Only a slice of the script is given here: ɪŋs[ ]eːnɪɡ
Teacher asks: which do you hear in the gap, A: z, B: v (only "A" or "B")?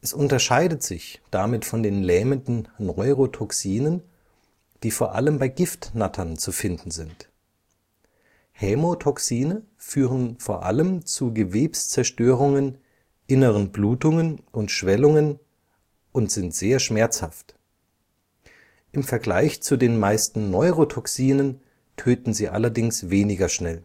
B